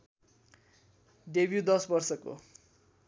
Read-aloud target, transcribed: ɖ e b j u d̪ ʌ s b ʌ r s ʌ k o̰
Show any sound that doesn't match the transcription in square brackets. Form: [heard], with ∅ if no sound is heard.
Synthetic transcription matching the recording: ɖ e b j u d̪ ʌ s b ʌ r s ʌ k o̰